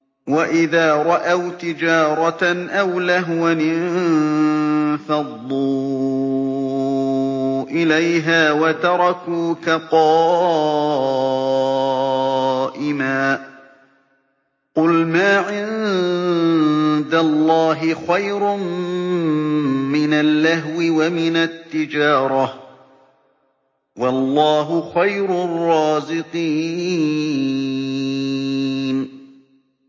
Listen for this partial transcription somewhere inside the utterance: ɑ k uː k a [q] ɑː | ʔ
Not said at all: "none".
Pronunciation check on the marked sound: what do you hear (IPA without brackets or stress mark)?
q